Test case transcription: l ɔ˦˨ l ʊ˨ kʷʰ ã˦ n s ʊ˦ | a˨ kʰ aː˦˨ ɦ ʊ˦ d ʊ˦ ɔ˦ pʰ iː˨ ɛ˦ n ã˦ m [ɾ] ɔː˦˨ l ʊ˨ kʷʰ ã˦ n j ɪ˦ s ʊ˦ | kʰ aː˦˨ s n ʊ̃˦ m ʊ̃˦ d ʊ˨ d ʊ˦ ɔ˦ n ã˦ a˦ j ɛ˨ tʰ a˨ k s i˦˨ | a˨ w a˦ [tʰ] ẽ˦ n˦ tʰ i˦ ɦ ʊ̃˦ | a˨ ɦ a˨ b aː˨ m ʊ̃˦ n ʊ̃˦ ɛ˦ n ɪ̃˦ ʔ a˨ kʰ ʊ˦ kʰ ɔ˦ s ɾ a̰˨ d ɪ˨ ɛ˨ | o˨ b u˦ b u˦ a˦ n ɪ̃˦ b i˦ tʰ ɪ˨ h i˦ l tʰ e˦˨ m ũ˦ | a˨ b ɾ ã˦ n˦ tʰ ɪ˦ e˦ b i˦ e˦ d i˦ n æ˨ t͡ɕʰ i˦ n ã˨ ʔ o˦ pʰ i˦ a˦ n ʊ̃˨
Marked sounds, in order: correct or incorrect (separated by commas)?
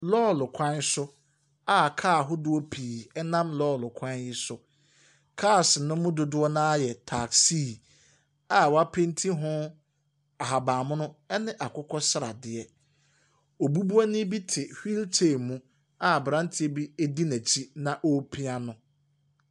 incorrect, incorrect